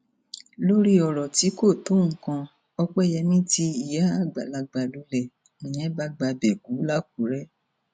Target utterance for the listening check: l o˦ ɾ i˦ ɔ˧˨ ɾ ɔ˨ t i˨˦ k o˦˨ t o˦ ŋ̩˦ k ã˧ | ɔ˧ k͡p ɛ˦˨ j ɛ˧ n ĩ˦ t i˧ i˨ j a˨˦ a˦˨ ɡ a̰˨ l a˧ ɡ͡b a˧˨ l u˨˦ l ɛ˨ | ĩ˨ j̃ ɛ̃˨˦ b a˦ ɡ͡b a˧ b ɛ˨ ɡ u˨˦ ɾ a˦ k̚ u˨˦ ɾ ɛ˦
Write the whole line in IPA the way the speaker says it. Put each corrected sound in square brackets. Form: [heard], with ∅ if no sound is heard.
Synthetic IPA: l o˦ ɾ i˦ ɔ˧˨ ɾ ɔ˨ t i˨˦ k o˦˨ t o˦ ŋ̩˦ k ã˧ | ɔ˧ k͡p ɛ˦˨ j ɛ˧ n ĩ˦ t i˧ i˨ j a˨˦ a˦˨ [ɡ͡b] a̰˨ l a˧ ɡ͡b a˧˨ l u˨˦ l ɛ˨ | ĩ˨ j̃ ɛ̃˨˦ b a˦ ɡ͡b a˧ b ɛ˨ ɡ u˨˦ [l] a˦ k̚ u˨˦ ɾ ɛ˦